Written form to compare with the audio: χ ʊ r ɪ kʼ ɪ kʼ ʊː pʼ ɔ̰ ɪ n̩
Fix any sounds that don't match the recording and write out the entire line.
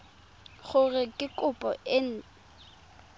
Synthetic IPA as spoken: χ ʊ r ɪ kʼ ɪ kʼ ʊ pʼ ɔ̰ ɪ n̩